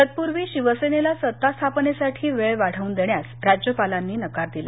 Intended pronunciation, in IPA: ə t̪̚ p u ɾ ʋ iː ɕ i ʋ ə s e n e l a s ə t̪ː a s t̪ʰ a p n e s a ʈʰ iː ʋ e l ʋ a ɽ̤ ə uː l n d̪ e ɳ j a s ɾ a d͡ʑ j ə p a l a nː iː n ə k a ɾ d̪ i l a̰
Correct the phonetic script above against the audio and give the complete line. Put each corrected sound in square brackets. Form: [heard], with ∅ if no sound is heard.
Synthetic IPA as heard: ə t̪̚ p u ɾ ʋ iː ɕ i ʋ ə s e n e l a s ə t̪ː a s t̪ʰ a p n e s a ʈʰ iː ʋ e [ɭ] ʋ a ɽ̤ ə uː [∅] n d̪ e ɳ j a s ɾ a d͡ʑ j ə p a l a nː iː n ə k a ɾ d̪ i l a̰